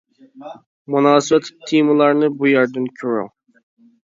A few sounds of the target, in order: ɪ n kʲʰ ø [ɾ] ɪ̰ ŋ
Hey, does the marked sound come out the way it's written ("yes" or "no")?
yes